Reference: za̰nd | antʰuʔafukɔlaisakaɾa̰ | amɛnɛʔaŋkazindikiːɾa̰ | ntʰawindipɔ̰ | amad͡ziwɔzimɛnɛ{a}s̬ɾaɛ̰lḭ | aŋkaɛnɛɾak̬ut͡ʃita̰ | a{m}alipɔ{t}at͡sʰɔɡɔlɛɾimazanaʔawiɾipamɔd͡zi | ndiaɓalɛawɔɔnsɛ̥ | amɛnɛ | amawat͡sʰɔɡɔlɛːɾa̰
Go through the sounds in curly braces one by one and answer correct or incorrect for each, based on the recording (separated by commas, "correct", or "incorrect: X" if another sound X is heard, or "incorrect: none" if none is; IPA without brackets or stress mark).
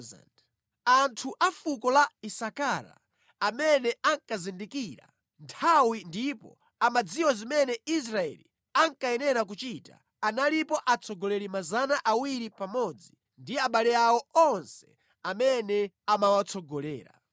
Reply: incorrect: i, incorrect: n, incorrect: ʔ